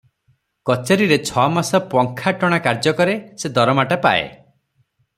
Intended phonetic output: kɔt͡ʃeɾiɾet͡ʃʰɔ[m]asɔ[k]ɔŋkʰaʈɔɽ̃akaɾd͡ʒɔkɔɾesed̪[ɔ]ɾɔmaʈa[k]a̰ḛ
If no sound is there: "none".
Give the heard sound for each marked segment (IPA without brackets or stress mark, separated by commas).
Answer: m, p, ɔ, p